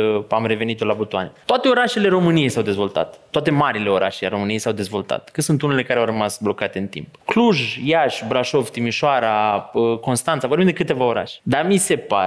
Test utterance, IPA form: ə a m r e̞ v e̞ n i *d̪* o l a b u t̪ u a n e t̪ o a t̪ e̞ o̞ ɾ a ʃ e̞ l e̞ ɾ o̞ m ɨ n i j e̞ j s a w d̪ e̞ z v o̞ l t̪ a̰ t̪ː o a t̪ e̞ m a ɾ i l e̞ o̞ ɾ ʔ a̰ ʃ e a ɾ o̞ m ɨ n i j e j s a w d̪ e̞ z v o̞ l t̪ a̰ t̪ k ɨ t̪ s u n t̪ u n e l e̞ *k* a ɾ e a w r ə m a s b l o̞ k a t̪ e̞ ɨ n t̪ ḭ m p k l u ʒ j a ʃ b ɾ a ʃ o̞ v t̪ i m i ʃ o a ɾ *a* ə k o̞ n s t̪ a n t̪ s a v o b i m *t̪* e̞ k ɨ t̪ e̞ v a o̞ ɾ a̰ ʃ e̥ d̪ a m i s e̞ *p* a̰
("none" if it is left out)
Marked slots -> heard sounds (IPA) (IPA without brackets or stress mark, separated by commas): t̪, k, a, d̪, p